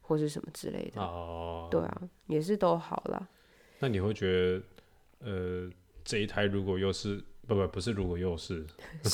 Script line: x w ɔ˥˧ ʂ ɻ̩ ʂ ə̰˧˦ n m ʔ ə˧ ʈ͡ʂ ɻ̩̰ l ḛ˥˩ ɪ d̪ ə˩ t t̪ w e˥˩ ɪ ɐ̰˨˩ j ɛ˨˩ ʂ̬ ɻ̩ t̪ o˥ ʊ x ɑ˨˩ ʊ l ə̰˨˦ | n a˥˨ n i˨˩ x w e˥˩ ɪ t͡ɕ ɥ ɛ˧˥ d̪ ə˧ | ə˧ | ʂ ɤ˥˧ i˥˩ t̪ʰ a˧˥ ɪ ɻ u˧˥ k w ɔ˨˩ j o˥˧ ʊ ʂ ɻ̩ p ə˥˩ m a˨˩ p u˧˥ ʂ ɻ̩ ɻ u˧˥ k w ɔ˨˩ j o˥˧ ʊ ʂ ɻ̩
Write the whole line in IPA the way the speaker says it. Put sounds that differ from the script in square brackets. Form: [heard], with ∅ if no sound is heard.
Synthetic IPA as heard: x w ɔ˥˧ ʂ ɻ̩ ʂ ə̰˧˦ n m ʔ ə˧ ʈ͡ʂ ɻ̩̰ l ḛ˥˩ ɪ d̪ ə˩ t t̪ w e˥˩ ɪ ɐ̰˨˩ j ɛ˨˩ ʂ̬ ɻ̩ t̪ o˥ ʊ x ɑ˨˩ ʊ l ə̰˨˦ | n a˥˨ n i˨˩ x w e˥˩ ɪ t͡ɕ ɥ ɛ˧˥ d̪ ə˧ | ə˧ | [ʈ͡ʂ] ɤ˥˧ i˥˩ t̪ʰ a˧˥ ɪ ɻ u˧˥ k w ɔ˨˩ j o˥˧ ʊ ʂ ɻ̩ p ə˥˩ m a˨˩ p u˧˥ ʂ ɻ̩ ɻ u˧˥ k w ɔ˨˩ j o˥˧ ʊ ʂ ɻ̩